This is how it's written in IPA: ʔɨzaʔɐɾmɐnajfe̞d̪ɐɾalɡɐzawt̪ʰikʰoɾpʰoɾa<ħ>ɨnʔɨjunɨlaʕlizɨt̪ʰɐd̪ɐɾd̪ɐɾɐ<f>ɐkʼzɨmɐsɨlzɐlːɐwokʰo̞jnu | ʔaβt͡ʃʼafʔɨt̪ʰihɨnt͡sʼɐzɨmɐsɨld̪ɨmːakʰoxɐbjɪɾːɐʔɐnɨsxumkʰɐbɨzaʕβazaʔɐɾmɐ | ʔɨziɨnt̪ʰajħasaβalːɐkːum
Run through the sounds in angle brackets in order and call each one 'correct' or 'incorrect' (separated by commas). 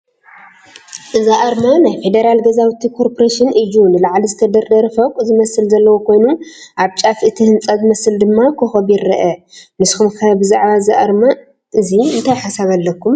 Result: incorrect, correct